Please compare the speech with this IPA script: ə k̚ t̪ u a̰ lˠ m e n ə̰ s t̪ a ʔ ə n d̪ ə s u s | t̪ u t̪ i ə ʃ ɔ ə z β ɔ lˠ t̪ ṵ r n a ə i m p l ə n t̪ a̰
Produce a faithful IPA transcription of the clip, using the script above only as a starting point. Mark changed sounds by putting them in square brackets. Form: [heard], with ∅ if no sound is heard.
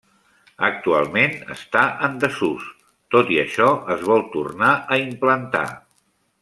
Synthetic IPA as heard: ə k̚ t̪ u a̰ lˠ m e n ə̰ s t̪ a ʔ ə n d̪ ə s u s | t̪ [o] t̪ i ə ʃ ɔ ə z β ɔ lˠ t̪ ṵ r n a ə i m p l ə n t̪ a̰